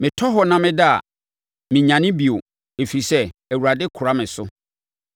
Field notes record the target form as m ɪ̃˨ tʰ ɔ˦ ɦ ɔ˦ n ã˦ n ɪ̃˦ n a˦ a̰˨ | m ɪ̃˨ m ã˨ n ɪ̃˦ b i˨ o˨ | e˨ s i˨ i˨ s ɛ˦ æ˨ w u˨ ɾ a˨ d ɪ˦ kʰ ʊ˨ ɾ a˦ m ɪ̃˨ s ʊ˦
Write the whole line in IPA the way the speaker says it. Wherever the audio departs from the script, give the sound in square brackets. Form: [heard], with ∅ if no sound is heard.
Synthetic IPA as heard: m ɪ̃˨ tʰ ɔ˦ ɦ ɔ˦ n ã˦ [m] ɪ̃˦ [d] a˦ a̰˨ | m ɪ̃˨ [ɲ] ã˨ n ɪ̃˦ b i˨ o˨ | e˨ [f] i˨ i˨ s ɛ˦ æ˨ w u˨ ɾ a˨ d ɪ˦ kʰ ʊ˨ ɾ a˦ m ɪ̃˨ s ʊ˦